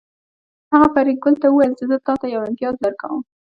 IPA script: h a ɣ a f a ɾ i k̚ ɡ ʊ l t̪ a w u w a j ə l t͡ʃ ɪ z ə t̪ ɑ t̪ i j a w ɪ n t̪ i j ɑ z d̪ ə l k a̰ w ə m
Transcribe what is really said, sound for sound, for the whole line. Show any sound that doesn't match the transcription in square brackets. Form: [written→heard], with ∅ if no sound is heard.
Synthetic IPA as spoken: h a ɣ a f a ɾ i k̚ ɡ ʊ l t̪ a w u w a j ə l t͡ʃ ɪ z ə t̪ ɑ t̪ [i→a] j a w ɪ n t̪ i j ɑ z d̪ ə [l→ɾ] k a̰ w ə m